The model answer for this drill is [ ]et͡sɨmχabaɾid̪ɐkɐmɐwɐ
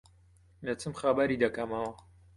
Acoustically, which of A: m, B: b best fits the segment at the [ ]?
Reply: A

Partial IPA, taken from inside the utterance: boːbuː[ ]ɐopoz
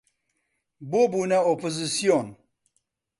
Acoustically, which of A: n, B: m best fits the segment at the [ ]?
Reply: A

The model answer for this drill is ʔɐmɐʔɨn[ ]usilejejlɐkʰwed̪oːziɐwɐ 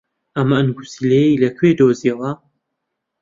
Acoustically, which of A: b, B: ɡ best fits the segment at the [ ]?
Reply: B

